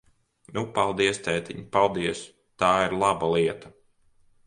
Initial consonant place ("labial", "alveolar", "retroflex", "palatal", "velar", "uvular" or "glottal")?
alveolar